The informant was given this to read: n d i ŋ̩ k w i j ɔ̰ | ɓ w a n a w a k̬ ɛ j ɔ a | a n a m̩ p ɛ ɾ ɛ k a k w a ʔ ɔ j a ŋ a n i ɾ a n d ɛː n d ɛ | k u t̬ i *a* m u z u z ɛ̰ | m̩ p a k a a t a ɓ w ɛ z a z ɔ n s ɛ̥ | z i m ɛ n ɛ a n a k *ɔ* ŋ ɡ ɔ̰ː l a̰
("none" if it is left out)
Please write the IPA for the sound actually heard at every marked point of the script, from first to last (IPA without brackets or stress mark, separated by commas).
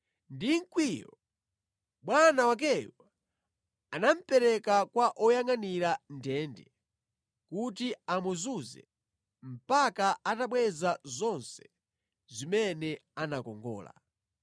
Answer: a, ɔ